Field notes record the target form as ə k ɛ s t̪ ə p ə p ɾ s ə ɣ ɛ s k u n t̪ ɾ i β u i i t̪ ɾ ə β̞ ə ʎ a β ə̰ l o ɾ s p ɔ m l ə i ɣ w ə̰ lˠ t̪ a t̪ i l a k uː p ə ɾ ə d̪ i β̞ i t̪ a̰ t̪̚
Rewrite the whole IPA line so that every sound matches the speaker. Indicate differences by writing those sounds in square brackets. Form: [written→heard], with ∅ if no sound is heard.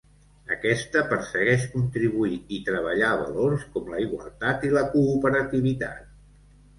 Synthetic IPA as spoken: ə k ɛ s t̪ ə p ə [p→∅] ɾ s ə ɣ ɛ [s→ʃ] k u n t̪ ɾ i β u i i t̪ ɾ ə β̞ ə ʎ a β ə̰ l o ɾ s [p→k] ɔ m l ə i ɣ w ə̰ lˠ t̪ a t̪ i l [a→ə] k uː p ə ɾ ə [d̪→t̪] i β̞ i t̪ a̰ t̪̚